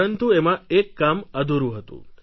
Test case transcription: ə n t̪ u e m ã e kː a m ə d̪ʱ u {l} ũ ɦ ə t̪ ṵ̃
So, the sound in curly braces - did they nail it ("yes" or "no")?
no